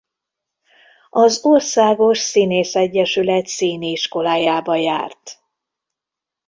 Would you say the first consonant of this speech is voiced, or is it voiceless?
voiced